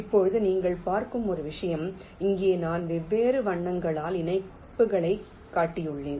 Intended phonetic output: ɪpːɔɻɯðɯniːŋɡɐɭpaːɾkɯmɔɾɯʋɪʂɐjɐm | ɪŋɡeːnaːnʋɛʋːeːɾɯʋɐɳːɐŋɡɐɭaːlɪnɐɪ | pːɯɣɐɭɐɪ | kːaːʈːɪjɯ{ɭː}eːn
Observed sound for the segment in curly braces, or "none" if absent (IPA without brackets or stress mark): ɭː